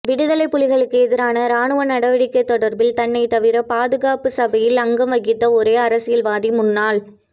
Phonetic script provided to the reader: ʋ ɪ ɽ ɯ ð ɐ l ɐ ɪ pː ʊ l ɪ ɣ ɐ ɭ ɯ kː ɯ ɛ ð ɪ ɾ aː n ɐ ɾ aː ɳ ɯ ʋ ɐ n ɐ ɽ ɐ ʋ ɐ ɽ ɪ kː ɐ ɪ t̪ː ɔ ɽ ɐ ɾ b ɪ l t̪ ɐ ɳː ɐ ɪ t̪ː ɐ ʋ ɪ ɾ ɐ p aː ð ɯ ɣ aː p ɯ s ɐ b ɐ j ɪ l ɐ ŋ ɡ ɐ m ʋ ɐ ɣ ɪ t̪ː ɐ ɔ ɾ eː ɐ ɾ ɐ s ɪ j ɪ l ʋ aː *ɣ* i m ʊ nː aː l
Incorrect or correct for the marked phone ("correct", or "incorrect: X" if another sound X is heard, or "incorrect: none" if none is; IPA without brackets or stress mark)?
incorrect: ð